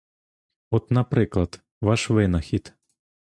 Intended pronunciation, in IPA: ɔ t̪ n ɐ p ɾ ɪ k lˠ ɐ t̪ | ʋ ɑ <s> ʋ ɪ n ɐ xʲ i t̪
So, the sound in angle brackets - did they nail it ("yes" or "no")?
no